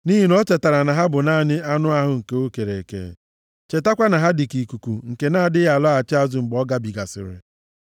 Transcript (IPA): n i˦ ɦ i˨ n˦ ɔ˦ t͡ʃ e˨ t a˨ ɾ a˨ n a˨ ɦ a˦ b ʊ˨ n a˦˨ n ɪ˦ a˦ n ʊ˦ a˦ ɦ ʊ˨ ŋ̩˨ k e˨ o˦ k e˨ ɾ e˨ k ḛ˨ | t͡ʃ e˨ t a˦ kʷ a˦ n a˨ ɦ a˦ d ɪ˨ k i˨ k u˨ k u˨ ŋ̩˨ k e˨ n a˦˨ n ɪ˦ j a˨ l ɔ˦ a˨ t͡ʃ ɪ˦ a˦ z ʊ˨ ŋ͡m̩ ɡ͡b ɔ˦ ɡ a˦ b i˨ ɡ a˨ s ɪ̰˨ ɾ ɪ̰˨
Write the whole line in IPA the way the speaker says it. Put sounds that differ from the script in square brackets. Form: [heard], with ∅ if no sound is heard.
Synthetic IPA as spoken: n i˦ ɦ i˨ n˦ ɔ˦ t͡ʃ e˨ t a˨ ɾ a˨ n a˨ ɦ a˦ b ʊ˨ n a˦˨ n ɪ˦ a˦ n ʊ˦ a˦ ɦ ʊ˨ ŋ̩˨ k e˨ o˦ k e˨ ɾ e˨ k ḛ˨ | t͡ʃ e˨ t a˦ kʷ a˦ n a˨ ɦ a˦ d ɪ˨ k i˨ k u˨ k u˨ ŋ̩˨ k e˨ n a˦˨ [d] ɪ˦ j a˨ l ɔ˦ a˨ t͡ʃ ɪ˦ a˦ z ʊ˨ ŋ͡m̩ ɡ͡b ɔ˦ ɡ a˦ b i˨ ɡ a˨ s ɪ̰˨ ɾ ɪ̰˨